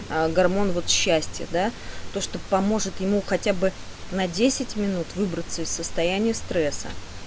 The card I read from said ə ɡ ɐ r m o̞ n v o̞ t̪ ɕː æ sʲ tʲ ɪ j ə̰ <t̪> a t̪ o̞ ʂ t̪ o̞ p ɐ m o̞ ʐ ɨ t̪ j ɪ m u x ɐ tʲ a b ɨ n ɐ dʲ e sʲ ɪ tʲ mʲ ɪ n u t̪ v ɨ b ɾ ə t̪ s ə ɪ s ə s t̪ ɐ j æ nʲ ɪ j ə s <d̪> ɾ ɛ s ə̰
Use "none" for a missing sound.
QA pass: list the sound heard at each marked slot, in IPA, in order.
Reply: d̪, t̪

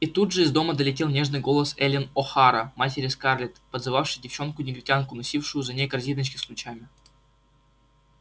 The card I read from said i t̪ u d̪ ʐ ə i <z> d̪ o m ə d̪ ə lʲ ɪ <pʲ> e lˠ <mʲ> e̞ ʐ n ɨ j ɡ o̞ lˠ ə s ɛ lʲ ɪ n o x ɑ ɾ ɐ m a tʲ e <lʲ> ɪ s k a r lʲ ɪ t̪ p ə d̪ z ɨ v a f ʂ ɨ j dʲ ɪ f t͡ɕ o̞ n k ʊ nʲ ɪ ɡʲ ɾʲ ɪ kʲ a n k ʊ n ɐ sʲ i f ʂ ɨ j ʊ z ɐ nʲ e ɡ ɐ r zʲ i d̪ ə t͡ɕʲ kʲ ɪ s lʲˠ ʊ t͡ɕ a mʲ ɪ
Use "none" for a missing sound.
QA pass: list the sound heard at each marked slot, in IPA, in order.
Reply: z, tʲ, nʲ, ɾʲ

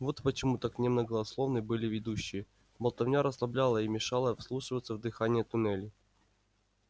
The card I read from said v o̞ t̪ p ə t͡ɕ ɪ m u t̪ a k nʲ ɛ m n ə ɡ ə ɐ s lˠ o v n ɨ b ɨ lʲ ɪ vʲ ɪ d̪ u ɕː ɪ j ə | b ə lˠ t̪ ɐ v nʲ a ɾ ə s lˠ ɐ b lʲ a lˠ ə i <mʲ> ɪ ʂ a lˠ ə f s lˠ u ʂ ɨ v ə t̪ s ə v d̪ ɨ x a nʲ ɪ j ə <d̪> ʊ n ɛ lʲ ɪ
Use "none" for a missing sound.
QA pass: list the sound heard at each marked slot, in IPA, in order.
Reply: mʲ, t̪

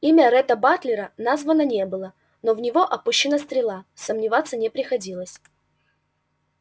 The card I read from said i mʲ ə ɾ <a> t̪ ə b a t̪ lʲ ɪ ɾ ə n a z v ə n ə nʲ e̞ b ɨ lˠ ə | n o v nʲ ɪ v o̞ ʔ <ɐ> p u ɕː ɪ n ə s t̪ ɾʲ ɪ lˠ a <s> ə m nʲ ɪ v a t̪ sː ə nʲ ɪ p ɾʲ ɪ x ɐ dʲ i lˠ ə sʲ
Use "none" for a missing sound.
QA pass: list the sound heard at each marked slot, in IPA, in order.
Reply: ɛ, ɐ, s

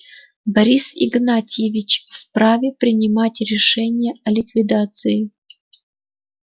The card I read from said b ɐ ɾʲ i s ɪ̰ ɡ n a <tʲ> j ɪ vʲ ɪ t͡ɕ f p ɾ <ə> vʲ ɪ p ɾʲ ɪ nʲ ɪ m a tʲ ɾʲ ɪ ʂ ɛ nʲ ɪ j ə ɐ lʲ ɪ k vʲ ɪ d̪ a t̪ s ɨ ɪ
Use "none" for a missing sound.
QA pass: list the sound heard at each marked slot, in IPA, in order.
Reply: tʲ, a

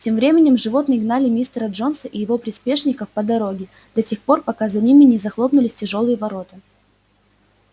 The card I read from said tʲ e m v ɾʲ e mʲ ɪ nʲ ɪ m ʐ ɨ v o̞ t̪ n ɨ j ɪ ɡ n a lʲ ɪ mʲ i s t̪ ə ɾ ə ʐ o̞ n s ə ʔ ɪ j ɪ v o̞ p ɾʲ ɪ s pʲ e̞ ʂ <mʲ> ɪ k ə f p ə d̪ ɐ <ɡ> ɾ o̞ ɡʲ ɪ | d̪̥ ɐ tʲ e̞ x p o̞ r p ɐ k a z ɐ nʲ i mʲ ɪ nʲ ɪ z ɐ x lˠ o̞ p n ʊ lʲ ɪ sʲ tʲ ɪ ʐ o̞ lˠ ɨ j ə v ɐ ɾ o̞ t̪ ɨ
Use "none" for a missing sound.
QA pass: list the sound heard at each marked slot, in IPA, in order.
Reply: nʲ, none

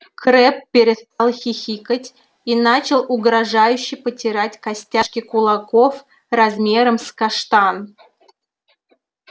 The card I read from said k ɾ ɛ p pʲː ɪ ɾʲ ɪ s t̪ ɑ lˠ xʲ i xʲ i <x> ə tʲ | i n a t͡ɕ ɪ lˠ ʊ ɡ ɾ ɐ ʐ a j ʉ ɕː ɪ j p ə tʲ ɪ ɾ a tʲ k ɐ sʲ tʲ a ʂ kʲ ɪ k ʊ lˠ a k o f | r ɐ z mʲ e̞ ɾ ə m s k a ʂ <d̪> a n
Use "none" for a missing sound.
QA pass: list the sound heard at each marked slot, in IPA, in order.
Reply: k, t̪

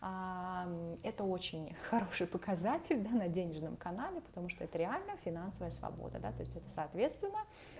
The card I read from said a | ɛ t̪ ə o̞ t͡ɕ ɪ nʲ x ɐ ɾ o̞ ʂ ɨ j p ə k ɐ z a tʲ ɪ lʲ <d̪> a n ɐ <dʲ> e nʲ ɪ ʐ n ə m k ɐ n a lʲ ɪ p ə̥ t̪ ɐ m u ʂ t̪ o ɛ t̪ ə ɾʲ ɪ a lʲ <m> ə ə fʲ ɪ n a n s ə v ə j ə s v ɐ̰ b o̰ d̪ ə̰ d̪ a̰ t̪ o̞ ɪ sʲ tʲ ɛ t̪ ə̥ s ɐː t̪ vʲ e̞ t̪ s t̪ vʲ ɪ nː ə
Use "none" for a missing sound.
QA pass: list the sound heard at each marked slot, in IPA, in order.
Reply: d̪, dʲ, n

